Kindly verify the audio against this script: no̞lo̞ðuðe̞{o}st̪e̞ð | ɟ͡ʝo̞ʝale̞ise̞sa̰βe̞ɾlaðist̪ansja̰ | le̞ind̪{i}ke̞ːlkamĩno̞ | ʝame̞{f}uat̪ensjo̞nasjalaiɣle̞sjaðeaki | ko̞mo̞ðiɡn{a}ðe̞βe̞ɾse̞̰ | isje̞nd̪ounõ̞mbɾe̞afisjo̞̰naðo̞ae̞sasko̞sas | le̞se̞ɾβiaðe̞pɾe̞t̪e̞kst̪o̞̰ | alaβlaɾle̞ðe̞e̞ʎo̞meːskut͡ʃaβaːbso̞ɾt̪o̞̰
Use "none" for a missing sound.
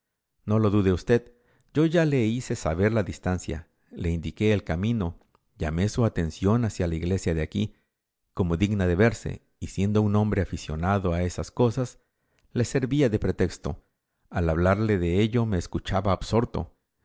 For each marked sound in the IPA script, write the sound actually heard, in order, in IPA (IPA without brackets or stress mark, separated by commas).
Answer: u, i, s, a